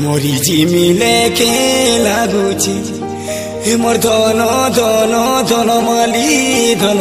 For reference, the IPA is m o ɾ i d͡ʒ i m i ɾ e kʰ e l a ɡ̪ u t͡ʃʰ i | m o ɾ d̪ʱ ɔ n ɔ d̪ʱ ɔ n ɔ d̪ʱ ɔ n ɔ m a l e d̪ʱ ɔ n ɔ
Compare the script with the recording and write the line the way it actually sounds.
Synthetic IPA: m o ɾ i d͡ʒ i m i l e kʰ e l a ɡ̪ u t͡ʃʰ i | m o ɾ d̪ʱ ɔ n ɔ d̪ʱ ɔ n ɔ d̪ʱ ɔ n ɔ m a l i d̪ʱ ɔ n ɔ